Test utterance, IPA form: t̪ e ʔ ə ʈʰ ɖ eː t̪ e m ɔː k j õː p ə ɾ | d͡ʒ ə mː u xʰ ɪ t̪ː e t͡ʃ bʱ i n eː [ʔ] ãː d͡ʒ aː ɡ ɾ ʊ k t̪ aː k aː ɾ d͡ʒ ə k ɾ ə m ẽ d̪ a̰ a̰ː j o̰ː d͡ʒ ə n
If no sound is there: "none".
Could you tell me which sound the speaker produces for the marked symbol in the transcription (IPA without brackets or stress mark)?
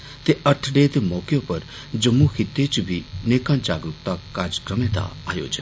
k